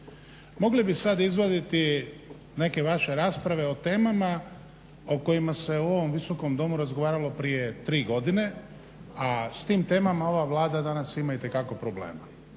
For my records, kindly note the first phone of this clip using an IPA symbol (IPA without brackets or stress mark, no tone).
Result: m